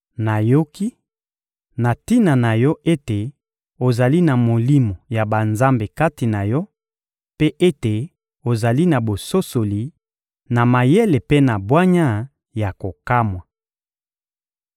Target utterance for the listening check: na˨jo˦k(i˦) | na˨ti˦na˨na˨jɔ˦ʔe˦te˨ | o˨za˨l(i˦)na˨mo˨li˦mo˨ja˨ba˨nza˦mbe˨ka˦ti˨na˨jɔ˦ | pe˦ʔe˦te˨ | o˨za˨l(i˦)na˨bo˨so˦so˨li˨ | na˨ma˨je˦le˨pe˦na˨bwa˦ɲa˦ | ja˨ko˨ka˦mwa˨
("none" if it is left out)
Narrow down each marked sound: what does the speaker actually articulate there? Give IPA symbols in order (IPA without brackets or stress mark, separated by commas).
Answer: i˦, i˦, i˦